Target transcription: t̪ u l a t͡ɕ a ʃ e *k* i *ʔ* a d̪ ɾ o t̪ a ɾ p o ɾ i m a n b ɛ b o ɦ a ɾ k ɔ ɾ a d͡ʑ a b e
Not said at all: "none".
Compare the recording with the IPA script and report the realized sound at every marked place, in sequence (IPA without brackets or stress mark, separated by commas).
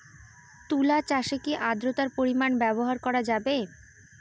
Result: k, ʔ